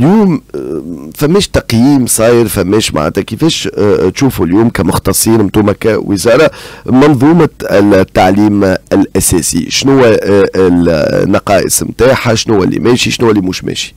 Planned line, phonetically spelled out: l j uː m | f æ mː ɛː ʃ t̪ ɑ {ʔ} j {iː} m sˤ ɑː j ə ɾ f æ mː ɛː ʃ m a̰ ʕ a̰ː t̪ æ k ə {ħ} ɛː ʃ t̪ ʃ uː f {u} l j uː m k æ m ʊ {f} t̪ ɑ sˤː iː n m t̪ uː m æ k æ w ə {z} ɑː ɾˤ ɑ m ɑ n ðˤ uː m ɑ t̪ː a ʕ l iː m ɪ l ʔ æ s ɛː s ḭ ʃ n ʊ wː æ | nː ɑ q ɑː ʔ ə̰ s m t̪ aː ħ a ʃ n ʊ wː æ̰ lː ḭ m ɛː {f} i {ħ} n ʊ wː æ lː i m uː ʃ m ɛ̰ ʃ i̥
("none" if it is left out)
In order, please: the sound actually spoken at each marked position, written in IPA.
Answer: q, iː, f, u, x, z, ʃ, ʃ

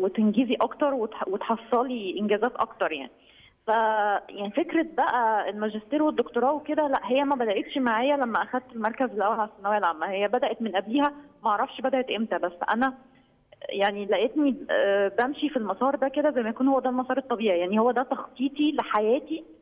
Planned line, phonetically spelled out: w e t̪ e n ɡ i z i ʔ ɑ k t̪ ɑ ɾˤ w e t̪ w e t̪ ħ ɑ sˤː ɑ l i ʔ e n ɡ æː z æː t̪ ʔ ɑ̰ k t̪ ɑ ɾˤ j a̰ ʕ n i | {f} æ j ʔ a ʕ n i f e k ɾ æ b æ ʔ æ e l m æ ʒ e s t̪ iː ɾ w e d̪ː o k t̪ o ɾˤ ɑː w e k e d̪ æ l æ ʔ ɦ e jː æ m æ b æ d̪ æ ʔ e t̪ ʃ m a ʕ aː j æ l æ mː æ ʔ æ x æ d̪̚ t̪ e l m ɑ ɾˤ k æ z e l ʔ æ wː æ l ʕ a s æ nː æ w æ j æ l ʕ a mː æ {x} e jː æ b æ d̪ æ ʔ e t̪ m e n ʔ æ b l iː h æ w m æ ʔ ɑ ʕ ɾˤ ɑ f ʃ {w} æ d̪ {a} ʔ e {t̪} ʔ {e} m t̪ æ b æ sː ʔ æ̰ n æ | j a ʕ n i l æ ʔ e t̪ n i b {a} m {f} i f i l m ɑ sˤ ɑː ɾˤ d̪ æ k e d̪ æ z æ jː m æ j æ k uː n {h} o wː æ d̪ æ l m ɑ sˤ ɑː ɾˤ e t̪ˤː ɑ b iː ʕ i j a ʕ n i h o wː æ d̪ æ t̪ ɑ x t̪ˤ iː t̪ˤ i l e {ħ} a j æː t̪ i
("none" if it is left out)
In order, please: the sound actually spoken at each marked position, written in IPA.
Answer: f, h, b, æ, t̪, e, æ, ʃ, h, ħ

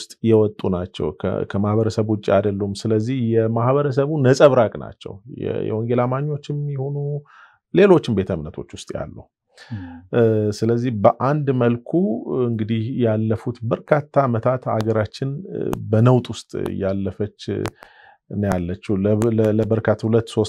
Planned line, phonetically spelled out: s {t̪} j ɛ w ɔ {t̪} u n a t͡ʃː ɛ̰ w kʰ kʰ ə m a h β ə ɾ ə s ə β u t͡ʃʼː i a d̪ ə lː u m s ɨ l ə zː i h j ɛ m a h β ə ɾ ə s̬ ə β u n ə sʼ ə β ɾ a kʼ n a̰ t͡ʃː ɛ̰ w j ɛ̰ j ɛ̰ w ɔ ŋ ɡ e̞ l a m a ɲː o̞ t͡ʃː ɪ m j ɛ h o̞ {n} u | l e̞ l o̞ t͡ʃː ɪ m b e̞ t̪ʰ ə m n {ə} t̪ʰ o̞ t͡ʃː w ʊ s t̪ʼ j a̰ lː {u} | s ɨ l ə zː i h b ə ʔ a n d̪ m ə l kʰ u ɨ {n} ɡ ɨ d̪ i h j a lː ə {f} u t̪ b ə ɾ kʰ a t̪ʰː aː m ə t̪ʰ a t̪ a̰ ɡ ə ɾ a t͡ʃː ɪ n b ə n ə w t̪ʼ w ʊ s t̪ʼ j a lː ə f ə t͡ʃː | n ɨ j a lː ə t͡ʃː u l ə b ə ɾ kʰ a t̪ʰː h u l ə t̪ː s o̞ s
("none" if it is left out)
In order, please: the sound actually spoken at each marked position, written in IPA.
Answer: t̪ʼ, t̪ʼ, n, ə, u, ŋ, f

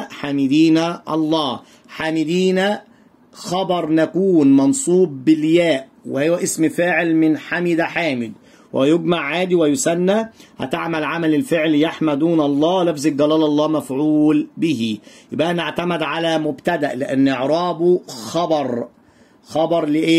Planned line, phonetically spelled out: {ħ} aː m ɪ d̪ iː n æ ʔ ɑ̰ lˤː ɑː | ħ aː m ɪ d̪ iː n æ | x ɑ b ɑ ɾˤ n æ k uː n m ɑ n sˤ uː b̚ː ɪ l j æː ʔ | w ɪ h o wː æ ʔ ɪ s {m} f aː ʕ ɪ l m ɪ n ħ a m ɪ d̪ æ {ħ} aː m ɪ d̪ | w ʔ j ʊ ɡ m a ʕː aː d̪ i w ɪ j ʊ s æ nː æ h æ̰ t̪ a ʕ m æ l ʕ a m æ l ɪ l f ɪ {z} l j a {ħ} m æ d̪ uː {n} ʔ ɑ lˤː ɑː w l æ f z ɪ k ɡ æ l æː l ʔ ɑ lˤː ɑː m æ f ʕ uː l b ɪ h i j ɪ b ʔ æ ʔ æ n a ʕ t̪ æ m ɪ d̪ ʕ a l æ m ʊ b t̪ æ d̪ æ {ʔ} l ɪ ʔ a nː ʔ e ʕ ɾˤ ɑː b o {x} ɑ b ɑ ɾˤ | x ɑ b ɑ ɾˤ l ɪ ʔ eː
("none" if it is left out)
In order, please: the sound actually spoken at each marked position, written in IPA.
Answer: ħ, m, ħ, ʕ, ħ, n, ʔ, x

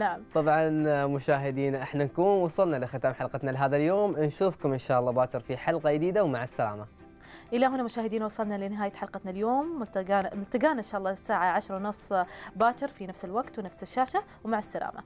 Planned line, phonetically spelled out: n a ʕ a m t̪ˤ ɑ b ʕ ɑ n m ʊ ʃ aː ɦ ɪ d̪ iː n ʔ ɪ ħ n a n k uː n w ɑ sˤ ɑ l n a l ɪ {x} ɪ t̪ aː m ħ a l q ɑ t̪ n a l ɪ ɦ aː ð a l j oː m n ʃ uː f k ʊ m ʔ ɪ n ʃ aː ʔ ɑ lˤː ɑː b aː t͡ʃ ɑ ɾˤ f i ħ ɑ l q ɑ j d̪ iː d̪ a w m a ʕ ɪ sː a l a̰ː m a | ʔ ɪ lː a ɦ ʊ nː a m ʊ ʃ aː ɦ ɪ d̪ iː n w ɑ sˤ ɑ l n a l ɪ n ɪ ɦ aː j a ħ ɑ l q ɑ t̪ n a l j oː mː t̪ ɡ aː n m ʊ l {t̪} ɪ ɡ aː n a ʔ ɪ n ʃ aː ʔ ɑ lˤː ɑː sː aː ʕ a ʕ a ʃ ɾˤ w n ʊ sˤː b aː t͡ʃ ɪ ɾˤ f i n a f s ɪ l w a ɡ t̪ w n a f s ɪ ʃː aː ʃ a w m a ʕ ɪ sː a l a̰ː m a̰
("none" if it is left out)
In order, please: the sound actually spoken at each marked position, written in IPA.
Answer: x, t̪

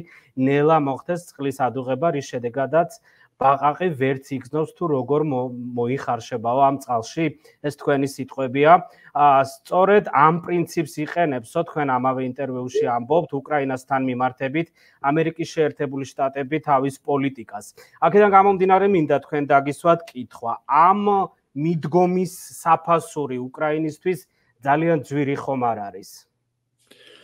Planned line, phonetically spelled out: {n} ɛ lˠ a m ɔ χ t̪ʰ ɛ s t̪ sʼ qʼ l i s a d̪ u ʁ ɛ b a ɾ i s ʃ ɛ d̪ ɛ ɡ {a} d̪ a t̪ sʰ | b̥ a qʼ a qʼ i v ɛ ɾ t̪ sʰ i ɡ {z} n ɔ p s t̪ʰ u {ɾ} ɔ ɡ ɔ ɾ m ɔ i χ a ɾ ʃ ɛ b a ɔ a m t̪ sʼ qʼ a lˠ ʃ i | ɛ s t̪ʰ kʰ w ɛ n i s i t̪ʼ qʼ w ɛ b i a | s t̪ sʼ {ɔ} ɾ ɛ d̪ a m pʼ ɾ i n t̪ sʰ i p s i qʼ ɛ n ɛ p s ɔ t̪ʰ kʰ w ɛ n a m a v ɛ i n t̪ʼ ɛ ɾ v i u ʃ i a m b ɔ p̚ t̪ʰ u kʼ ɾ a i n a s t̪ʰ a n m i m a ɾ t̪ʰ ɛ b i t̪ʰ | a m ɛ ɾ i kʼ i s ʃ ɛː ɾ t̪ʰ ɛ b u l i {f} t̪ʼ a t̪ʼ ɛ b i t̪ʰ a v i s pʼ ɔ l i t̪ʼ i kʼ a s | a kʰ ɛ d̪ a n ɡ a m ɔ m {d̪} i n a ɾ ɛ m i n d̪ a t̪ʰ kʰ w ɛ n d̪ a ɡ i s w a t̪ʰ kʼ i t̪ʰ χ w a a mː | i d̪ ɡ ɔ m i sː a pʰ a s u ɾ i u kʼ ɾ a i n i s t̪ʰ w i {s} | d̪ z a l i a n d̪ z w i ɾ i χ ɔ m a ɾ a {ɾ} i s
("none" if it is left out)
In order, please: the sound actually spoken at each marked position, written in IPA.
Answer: n, a, z, ɾ, ɔ, ʃ, d̪, s, ɾ

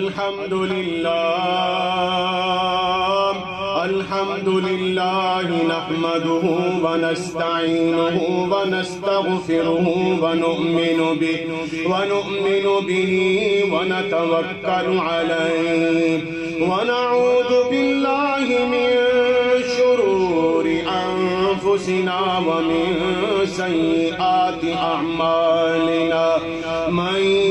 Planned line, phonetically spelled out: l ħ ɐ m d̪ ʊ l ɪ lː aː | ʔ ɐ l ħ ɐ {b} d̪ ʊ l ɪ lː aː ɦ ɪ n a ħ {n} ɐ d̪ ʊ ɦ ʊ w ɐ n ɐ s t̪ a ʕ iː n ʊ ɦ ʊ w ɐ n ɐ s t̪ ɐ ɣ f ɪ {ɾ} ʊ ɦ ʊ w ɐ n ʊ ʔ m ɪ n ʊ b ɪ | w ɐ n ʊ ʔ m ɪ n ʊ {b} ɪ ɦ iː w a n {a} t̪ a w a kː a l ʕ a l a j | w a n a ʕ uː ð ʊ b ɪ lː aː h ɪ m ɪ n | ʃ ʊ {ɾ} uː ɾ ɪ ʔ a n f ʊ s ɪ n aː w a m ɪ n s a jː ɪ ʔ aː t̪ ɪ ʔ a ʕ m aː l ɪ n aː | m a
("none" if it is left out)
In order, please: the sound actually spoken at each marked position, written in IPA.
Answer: m, m, ɾ, b, a, ɾ

